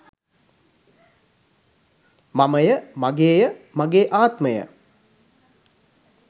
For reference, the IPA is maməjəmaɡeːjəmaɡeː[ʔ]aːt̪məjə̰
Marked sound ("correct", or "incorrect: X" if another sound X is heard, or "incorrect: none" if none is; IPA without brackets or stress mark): correct